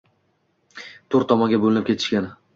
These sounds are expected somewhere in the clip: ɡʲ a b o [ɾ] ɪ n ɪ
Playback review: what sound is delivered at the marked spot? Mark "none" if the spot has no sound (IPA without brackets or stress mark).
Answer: l